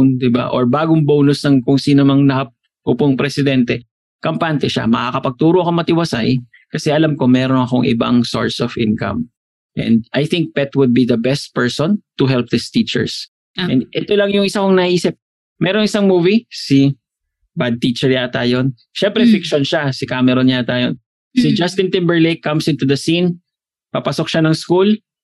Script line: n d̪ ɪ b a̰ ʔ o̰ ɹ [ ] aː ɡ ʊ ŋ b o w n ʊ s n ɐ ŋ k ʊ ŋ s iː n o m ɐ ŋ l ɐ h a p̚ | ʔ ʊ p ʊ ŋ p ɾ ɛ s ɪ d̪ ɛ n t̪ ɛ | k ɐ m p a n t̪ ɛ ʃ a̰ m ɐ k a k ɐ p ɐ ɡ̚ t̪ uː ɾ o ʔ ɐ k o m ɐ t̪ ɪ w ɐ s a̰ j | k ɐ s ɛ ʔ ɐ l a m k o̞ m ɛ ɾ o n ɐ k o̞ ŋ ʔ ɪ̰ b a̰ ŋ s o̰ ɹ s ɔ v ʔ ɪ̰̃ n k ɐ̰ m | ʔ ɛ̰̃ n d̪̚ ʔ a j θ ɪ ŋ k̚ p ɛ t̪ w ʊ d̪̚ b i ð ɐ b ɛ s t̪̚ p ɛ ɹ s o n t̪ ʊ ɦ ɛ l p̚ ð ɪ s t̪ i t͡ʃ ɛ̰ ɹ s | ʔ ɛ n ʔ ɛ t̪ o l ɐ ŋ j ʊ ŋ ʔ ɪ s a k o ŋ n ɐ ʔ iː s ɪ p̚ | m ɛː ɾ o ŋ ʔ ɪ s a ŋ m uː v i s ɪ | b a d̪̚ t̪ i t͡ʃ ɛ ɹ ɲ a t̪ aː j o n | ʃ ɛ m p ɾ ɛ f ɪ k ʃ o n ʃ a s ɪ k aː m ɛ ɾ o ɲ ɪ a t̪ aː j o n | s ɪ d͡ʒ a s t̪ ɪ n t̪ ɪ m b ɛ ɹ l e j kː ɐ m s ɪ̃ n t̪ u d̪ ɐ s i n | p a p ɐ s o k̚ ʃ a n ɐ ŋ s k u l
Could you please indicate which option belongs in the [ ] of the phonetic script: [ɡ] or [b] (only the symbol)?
b